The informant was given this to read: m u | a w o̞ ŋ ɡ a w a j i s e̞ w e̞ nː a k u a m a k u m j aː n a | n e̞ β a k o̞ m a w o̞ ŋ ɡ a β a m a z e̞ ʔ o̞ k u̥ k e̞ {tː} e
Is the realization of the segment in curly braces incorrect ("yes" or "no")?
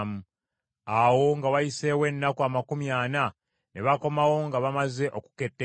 no